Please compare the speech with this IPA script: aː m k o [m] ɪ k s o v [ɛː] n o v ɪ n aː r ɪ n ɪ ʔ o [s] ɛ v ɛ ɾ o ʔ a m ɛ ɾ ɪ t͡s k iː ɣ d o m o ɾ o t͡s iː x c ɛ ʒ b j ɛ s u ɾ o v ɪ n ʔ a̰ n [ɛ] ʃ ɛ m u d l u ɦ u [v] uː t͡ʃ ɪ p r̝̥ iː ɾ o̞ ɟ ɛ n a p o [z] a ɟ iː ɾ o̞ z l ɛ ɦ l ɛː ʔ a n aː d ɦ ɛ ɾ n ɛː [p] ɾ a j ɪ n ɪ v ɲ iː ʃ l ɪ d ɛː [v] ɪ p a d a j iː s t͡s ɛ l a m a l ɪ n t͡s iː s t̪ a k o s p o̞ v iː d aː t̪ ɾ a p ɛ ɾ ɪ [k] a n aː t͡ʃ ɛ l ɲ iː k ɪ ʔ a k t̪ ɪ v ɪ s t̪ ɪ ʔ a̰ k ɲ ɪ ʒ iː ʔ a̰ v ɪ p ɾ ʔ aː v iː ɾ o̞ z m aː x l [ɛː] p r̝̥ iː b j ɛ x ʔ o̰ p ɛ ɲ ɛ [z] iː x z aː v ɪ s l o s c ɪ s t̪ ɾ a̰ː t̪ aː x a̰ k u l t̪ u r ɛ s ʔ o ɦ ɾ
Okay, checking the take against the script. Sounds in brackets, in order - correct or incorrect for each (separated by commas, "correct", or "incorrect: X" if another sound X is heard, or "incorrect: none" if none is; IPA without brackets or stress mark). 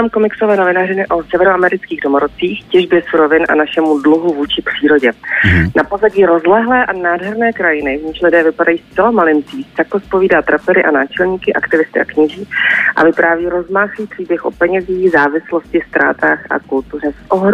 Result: correct, correct, correct, incorrect: a, correct, correct, incorrect: k, correct, incorrect: ʔ, incorrect: iː, correct